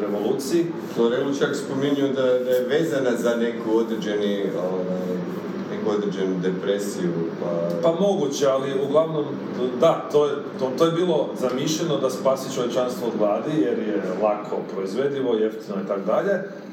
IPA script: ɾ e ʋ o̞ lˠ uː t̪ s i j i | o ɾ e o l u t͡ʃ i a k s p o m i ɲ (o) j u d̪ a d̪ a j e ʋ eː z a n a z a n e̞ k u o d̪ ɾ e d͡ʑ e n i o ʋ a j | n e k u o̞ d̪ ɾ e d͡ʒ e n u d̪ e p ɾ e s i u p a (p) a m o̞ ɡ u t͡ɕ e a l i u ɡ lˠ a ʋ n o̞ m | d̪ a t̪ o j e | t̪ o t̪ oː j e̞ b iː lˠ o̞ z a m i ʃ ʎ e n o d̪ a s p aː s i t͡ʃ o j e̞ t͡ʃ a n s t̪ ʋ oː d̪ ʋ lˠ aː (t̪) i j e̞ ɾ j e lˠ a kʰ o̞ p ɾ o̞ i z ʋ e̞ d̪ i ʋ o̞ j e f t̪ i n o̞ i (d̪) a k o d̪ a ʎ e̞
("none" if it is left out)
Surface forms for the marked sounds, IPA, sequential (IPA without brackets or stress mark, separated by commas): u, p, d̪, t̪